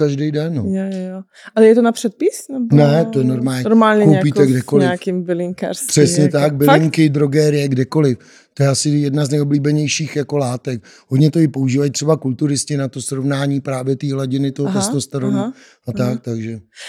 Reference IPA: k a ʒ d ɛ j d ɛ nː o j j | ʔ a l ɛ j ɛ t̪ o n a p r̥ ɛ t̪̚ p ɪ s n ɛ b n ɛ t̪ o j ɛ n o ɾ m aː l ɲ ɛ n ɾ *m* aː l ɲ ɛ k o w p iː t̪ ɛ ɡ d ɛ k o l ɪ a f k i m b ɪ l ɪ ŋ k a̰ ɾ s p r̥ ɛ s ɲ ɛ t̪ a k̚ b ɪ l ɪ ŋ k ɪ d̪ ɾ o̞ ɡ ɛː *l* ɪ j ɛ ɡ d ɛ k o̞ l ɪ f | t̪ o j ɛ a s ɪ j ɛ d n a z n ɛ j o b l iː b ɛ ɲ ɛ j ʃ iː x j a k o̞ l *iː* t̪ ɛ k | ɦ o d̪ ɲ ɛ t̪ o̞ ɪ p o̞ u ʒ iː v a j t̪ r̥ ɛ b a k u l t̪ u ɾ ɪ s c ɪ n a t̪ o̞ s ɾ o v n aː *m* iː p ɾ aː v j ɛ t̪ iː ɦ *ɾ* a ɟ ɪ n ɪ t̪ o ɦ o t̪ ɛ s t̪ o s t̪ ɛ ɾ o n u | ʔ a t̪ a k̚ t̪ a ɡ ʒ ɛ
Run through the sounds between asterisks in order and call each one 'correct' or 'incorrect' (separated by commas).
correct, incorrect, incorrect, incorrect, incorrect